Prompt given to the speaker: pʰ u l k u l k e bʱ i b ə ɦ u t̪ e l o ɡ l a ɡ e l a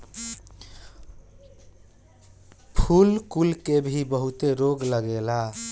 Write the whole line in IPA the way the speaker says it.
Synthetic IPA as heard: pʰ u l k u l k e bʱ i b ə ɦ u t̪ e ɾ o ɡ l ə ɡ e l a